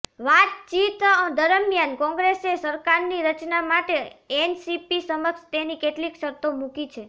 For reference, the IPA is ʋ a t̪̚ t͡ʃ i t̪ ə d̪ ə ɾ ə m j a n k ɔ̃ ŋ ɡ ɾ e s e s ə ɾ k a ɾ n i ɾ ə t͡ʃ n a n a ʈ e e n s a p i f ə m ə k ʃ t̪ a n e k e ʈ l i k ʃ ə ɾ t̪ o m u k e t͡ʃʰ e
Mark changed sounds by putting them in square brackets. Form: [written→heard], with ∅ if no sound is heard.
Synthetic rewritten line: ʋ a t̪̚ t͡ʃ i t̪ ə d̪ ə ɾ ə m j a n k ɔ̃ ŋ ɡ ɾ e s e s ə ɾ k a ɾ n i ɾ ə t͡ʃ n a [n→m] a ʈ e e n s [a→i] p i [f→s] ə m ə k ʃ t̪ [a→e] n [e→i] k e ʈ l i k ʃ ə ɾ t̪ o m u k [e→i] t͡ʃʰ e